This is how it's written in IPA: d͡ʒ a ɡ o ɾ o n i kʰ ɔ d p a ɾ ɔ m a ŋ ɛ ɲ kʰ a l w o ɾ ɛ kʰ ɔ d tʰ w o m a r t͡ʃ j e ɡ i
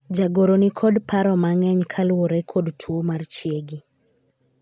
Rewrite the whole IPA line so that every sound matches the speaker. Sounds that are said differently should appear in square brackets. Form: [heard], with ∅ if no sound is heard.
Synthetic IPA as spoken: d͡ʒ a ɡ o ɾ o n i kʰ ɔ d p a ɾ ɔ m a ŋ ɛ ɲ kʰ a l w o ɾ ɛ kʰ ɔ d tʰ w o m a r t͡ʃ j e ɡ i